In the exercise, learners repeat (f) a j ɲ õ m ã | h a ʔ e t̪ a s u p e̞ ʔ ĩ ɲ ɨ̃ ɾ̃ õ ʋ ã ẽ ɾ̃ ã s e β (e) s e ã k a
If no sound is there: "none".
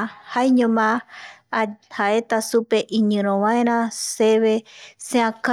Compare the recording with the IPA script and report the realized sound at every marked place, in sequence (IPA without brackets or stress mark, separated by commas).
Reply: h, e